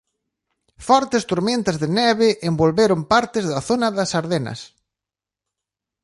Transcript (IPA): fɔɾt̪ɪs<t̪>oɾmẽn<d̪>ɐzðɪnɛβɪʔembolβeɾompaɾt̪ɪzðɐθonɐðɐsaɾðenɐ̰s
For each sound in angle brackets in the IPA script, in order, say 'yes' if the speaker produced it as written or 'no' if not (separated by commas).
yes, no